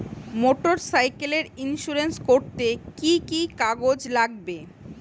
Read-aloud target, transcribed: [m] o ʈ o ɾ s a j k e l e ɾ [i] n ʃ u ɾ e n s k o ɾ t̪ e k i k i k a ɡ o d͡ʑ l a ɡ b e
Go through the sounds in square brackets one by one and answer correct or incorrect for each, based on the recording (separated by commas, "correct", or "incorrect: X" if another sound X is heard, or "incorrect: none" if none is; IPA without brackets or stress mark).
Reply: correct, correct